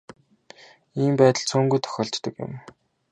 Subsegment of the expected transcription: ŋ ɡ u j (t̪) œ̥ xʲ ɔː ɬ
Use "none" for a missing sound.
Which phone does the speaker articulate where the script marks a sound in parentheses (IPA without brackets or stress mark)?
t̪ʰ